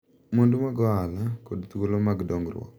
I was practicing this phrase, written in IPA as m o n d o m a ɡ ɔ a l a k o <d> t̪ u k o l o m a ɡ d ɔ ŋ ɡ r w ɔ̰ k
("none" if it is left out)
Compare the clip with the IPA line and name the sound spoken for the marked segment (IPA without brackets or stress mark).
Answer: d